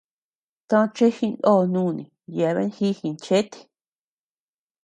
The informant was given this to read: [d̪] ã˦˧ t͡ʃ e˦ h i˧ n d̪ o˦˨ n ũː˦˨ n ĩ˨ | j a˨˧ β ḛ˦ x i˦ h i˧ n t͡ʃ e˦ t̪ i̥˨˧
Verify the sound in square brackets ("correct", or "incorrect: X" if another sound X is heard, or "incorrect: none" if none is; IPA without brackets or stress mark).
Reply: incorrect: t̪